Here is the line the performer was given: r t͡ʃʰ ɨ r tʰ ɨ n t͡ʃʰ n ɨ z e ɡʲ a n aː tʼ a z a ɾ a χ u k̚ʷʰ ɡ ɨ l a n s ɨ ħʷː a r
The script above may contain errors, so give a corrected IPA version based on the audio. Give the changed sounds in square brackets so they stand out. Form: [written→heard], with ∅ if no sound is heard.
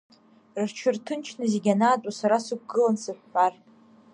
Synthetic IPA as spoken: r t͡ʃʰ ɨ r tʰ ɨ n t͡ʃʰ n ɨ z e ɡʲ a n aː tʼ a [z→s] a ɾ a [χ→s] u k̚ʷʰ ɡ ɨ l a n s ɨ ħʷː a r